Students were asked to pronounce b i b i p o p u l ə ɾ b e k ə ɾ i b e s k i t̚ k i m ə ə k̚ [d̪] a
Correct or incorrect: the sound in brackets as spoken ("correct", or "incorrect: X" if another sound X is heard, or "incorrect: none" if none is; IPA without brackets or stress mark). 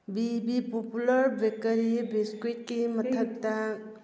incorrect: t̪